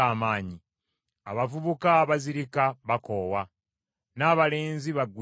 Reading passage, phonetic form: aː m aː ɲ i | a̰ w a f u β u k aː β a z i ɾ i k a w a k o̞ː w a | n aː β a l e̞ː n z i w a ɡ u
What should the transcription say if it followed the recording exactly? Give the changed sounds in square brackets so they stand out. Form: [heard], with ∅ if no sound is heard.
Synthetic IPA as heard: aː m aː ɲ i | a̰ [β] a [v] u β u k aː β a z i ɾ i k a [β] a k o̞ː w a | n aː β a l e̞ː n z i [β] a ɡ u